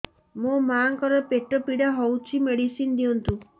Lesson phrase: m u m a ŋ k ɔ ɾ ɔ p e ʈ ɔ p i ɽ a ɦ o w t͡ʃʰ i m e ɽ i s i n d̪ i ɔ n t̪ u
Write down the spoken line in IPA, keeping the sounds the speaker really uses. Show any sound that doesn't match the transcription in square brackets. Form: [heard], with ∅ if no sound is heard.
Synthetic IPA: m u m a ŋ k ɔ ɾ ɔ p e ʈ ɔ p i ɽ a ɦ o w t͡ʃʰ i m e ɽ i s i n d̪ i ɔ n t̪ u